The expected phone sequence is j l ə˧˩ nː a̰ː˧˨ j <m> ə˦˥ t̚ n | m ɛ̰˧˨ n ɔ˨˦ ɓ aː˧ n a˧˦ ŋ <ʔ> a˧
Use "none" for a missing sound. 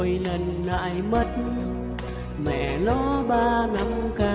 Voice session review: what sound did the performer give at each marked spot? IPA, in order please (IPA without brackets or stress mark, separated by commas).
m, k